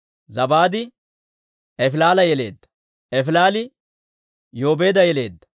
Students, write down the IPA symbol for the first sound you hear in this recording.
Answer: z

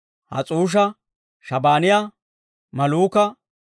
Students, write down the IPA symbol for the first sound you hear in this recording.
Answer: h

